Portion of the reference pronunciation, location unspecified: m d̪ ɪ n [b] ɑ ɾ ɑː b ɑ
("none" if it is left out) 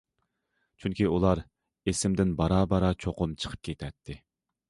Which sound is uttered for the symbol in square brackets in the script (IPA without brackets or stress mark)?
b